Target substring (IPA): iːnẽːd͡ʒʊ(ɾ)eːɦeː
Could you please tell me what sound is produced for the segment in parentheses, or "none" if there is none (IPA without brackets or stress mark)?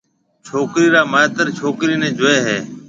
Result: none